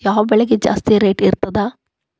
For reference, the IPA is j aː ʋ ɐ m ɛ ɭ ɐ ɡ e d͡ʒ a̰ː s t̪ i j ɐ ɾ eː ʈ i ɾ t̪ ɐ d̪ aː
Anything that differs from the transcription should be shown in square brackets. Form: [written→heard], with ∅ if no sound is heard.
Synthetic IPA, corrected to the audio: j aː ʋ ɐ [m→b] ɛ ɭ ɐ ɡ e d͡ʒ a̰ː s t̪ i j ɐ ɾ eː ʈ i ɾ t̪ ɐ d̪ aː